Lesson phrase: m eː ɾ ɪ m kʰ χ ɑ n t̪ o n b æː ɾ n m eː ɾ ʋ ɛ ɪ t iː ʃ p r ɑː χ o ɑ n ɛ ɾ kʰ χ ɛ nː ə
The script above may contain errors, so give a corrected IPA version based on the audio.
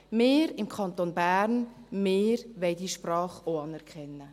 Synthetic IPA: m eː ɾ ɪ m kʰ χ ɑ n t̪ o n b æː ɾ n m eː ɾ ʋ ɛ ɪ d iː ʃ p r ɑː χ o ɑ n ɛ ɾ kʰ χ ɛ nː ə